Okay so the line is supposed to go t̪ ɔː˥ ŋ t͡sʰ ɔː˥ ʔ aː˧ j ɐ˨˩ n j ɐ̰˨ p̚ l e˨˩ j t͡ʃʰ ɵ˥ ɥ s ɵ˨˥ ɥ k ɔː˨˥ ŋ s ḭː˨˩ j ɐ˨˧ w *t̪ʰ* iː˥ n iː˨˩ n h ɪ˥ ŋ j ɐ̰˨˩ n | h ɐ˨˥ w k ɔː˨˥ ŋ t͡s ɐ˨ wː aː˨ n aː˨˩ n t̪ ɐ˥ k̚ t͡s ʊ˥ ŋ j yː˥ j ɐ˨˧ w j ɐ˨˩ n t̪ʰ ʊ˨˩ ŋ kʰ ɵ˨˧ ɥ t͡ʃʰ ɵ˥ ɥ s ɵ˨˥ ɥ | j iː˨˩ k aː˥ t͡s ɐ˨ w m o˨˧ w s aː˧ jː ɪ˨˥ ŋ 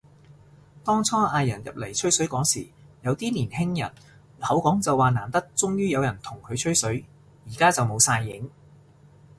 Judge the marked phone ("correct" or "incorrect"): incorrect